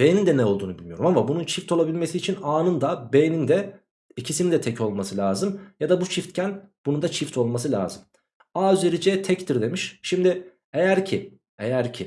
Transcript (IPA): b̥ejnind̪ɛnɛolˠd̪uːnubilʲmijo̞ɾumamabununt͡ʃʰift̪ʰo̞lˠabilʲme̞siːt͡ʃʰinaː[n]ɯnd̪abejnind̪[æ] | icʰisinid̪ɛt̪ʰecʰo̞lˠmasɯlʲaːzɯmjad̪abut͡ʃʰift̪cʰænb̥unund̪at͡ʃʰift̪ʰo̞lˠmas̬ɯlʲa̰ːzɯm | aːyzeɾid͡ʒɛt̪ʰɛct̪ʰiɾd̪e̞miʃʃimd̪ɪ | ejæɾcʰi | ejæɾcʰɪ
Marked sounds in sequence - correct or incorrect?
correct, incorrect

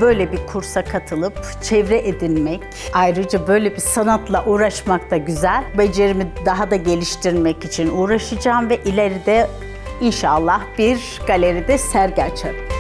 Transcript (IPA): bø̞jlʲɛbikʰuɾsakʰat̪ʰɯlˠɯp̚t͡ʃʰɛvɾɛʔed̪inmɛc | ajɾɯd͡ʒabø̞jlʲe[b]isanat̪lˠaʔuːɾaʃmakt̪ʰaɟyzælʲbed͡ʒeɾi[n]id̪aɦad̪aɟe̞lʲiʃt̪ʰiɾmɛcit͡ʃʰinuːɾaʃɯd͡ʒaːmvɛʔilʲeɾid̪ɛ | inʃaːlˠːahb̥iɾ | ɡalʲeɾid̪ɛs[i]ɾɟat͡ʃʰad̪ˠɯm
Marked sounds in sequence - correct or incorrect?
correct, incorrect, incorrect

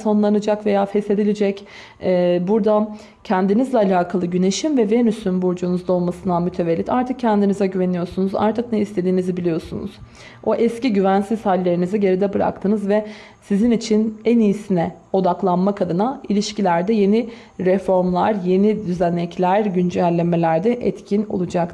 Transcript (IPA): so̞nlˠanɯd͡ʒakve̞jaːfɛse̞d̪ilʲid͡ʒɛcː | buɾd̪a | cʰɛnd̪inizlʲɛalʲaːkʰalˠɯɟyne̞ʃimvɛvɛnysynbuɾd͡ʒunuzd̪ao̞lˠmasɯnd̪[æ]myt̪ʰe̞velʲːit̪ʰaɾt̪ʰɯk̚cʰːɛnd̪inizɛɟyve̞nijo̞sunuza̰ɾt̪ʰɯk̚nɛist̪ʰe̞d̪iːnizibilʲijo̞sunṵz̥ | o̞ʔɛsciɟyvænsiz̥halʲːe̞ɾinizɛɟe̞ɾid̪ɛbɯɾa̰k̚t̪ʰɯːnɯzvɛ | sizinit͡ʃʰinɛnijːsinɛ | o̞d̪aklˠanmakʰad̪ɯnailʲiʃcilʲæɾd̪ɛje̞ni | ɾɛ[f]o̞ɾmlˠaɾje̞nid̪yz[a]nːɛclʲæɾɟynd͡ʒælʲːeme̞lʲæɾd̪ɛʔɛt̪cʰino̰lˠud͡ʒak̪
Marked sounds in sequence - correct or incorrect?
incorrect, correct, incorrect

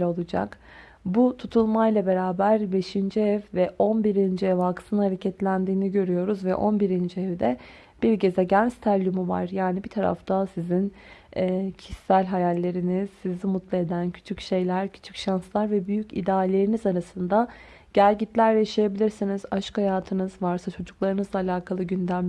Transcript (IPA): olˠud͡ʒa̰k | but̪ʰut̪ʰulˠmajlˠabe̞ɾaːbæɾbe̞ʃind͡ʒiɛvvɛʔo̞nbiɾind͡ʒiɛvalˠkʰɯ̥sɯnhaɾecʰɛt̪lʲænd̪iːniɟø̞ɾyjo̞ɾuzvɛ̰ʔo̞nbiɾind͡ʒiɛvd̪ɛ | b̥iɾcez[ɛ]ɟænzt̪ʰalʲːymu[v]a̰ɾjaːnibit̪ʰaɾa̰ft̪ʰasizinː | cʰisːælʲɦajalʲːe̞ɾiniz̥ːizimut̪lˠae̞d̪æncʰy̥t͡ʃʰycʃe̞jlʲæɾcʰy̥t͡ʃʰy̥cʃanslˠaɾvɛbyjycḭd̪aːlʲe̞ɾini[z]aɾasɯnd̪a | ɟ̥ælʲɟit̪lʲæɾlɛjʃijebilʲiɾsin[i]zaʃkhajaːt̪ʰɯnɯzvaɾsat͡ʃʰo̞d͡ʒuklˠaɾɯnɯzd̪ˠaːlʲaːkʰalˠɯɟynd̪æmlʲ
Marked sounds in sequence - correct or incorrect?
correct, correct, correct, correct

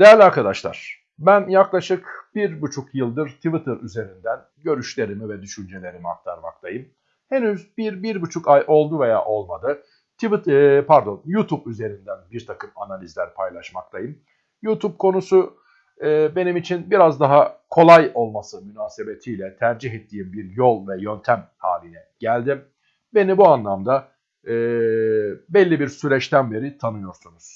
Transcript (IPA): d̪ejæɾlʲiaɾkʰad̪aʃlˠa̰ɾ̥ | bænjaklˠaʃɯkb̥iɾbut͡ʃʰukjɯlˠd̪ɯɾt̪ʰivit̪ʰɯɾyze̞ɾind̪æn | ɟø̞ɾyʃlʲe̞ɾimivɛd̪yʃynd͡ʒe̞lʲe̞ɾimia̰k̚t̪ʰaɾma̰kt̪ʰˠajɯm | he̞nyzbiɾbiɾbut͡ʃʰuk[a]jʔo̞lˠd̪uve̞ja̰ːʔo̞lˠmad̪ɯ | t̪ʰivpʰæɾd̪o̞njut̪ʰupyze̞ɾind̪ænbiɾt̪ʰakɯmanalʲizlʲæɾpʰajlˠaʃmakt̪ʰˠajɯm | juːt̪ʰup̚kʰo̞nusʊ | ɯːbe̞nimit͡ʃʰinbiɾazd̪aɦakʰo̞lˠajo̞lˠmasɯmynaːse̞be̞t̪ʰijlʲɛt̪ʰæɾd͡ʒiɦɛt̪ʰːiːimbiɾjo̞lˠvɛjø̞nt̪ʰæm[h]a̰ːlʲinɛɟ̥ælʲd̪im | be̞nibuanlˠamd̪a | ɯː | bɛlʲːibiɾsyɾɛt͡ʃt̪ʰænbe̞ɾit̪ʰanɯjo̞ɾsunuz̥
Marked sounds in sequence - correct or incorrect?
correct, correct

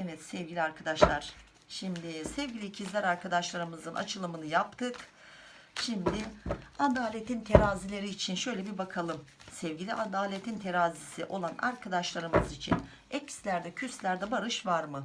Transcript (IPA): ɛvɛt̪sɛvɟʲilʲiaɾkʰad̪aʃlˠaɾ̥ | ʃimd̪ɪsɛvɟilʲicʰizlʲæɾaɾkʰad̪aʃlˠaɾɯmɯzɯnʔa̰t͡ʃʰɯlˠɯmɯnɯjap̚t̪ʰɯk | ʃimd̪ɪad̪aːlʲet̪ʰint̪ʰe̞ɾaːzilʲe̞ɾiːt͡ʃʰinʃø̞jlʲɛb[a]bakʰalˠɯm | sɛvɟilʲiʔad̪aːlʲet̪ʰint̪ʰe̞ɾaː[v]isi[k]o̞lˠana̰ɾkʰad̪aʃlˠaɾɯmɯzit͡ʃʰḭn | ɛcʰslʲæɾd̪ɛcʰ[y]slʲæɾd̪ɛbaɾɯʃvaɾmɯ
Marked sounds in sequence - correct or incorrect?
incorrect, incorrect, incorrect, correct

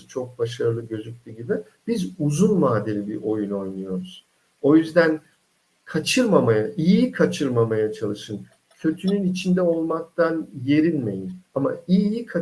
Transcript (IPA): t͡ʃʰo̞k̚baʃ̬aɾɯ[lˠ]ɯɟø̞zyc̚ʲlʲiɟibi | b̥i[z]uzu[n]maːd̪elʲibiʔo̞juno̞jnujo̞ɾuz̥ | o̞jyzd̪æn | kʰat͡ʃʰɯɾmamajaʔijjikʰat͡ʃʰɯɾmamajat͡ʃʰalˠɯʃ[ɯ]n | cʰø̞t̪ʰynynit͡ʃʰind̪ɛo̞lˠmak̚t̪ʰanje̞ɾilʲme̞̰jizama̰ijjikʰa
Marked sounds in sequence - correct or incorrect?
correct, correct, correct, correct

